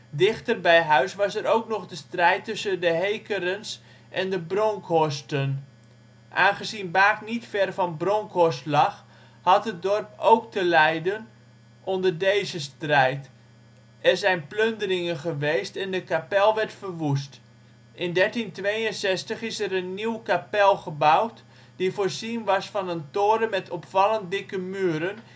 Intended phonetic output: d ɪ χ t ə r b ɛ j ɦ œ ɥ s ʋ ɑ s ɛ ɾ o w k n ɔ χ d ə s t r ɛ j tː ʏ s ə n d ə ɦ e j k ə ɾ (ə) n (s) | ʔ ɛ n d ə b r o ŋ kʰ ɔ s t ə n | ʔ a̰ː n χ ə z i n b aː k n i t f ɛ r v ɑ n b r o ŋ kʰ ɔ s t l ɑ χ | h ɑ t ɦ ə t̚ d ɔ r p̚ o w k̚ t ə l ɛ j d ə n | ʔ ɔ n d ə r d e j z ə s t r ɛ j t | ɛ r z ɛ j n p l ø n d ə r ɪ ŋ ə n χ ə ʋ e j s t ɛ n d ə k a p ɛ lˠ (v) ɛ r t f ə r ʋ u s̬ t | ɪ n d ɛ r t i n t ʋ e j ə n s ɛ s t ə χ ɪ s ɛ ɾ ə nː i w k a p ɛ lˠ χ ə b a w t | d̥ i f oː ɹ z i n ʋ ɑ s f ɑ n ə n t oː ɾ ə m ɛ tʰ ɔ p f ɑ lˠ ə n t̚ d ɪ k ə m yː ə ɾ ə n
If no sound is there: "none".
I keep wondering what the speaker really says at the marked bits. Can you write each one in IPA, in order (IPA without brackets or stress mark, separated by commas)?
ə, s, ʋ